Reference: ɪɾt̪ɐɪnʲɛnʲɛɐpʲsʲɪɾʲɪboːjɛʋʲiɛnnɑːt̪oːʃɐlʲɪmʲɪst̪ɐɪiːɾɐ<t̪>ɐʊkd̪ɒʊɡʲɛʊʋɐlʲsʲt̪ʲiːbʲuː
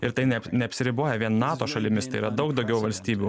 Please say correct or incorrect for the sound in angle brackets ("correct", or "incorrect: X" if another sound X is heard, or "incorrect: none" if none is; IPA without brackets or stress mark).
incorrect: d̪